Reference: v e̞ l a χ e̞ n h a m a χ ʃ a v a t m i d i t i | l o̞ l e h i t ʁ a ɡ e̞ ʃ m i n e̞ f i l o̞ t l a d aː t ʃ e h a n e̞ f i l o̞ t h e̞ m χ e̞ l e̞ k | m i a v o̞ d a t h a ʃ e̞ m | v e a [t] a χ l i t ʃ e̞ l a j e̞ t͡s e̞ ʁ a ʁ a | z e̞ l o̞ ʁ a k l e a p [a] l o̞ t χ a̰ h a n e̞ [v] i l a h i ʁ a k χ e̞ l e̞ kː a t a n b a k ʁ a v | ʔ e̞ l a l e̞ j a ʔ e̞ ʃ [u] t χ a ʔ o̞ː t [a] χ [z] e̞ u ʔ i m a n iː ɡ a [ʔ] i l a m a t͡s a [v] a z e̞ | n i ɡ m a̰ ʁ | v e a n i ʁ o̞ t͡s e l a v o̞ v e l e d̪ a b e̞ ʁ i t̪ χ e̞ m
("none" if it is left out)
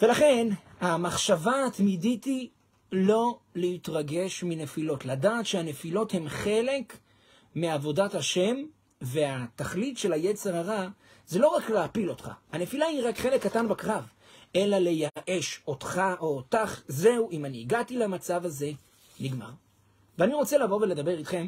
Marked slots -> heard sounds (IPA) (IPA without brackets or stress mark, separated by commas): t, i, f, o, a, z, t, v